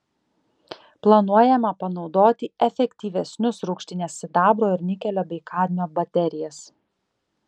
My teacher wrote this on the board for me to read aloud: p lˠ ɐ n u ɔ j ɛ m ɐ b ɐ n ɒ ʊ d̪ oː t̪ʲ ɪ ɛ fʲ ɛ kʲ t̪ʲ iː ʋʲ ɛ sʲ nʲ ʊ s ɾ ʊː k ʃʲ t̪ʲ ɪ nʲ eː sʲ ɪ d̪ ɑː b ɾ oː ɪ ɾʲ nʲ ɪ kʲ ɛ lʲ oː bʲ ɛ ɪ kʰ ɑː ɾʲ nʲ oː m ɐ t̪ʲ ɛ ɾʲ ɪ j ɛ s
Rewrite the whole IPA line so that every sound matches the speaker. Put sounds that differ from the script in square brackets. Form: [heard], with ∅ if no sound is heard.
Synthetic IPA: p lˠ ɐ n u ɔ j ɛ m ɐ [p] ɐ n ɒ ʊ d̪ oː t̪ʲ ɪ ɛ fʲ ɛ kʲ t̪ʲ iː ʋʲ ɛ sʲ nʲ ʊ s ɾ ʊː k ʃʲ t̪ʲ ɪ nʲ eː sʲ ɪ d̪ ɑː b ɾ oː ɪ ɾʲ nʲ ɪ kʲ ɛ lʲ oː bʲ ɛ ɪ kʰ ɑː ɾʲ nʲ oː [b] ɐ t̪ʲ ɛ ɾʲ ɪ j ɛ s